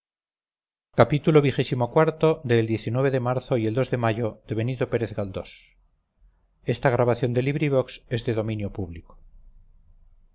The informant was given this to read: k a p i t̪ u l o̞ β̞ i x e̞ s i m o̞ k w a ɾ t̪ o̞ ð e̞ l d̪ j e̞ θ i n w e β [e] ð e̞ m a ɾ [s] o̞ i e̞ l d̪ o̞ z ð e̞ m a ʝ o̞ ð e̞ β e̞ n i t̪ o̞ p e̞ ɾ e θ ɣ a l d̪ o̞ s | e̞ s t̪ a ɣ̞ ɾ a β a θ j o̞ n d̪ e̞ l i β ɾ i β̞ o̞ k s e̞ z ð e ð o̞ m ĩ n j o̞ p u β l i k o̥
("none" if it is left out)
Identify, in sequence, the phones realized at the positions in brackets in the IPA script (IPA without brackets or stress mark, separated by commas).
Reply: e, θ